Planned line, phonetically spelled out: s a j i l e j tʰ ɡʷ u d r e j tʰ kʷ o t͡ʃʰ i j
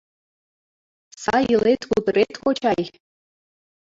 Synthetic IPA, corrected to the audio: s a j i l e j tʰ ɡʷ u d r e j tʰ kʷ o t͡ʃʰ a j